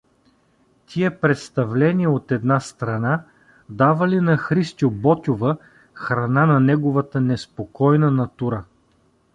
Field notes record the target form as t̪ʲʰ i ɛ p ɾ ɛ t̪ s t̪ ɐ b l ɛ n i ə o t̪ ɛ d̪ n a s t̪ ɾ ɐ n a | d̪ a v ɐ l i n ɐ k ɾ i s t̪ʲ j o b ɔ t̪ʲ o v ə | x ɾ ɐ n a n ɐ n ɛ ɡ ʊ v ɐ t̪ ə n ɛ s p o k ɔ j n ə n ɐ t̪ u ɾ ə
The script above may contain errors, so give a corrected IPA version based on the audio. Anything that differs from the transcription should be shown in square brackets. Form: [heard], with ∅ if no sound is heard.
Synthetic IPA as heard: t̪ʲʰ i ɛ p ɾ ɛ t̪ s t̪ ɐ [v] l ɛ n i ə o t̪ ɛ d̪ n a s t̪ ɾ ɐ n a | d̪ a v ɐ l i n ɐ [x] ɾ i s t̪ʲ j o b ɔ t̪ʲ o v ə | x ɾ ɐ n a n ɐ n ɛ ɡ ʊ v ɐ t̪ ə n ɛ s p o k ɔ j n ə n ɐ t̪ u ɾ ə